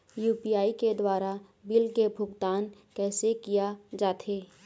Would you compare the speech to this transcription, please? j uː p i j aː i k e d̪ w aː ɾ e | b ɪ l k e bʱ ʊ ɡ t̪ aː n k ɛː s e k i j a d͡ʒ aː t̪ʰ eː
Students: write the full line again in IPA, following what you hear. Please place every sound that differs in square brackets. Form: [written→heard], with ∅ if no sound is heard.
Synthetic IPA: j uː p i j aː i k e d̪ w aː ɾ [e→a] | b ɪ l k e bʱ ʊ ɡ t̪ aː n k ɛː s e k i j a d͡ʒ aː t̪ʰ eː

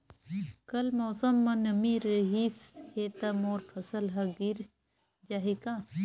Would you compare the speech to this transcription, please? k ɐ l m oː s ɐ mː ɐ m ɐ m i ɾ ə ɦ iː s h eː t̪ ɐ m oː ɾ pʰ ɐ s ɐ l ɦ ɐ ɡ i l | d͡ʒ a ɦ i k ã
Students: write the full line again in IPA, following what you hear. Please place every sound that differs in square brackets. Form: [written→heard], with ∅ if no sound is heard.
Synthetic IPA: k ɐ l m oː s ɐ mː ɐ [m→n] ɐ m i ɾ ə ɦ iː s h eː t̪ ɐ m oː ɾ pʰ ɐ s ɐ l ɦ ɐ ɡ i [l→ɾ] | d͡ʒ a ɦ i k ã

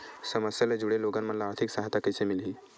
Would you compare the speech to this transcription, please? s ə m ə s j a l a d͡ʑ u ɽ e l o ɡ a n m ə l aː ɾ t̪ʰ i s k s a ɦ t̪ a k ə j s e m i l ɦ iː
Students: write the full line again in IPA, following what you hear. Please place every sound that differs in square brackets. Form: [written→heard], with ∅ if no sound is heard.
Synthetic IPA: s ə m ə s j a l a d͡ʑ u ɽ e l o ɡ a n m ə l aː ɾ t̪ʰ i [s→∅] k s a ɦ t̪ a k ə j s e m i l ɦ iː

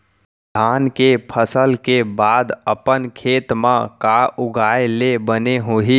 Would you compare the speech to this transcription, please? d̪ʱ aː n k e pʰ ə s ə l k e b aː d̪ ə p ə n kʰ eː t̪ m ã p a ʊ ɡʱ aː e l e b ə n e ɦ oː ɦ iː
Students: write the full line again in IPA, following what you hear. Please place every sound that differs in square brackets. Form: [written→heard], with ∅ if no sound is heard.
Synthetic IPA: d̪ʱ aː n k e pʰ ə s ə l k e b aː d̪ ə p ə n kʰ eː t̪ m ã [p→k] a ʊ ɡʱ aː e l e b ə n e ɦ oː ɦ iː

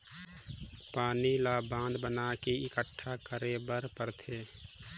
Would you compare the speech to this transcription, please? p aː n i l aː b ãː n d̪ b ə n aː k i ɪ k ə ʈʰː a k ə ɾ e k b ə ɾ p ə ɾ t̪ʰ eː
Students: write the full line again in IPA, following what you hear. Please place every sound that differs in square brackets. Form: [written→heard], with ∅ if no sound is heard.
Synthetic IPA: p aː n i l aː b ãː n d̪ b ə n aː k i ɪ k ə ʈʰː a k ə ɾ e [k→∅] b ə ɾ p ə ɾ t̪ʰ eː

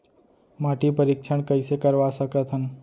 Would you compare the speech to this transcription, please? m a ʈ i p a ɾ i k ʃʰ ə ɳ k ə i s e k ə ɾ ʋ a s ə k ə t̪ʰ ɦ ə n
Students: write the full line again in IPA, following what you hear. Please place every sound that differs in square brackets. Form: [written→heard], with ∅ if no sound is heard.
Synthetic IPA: m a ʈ i p [a→ə] ɾ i k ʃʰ ə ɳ k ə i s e k ə ɾ ʋ a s ə k ə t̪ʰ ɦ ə n

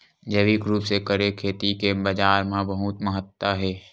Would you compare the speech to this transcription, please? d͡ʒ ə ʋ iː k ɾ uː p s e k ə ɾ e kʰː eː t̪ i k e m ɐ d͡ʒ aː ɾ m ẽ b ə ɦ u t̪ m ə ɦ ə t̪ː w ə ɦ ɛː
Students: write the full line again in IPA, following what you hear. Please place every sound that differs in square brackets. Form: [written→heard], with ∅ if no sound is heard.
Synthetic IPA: d͡ʒ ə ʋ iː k ɾ uː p s e k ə ɾ e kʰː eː t̪ i k e [m→b] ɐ d͡ʒ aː ɾ m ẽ b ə ɦ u t̪ m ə ɦ ə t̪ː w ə ɦ ɛː

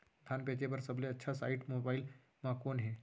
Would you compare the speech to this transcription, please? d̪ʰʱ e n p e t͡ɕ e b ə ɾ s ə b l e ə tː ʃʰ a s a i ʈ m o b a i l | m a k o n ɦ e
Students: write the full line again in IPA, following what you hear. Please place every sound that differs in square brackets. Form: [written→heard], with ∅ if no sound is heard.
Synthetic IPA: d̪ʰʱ [e→a] n p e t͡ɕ e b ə ɾ s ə b l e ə tː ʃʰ a s a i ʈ m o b a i l | m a k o n ɦ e

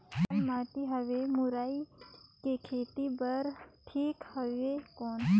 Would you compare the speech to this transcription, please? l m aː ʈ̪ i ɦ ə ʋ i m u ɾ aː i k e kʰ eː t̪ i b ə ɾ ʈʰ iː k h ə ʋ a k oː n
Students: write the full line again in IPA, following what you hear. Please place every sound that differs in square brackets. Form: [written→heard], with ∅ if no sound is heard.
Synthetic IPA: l m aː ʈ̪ i ɦ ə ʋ [i→e] m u ɾ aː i k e kʰ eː t̪ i b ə ɾ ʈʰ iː k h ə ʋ [a→e] k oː n

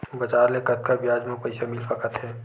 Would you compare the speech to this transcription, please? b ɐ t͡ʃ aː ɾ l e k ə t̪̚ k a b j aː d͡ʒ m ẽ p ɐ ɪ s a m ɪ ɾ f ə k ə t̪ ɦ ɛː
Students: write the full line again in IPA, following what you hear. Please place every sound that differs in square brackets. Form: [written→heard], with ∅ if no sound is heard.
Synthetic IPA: b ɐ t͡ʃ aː ɾ l e k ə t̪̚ k a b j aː d͡ʒ m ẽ p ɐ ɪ s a m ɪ [ɾ→l] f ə k ə t̪ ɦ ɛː

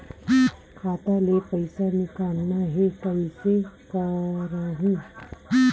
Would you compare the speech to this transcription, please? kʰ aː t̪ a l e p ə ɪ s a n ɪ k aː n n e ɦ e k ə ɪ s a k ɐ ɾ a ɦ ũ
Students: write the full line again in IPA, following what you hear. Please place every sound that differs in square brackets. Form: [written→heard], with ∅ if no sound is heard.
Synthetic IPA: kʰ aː t̪ a l e p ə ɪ s a n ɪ k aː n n [e→a] ɦ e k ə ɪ s [a→e] k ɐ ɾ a ɦ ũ

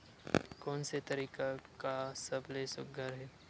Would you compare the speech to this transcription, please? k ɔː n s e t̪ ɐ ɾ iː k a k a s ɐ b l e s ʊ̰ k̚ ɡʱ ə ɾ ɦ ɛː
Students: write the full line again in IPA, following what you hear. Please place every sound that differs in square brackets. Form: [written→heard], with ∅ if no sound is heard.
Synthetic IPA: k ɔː n s e t̪ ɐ ɾ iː k a k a s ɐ b l e s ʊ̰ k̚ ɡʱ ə ɾ ɦ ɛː

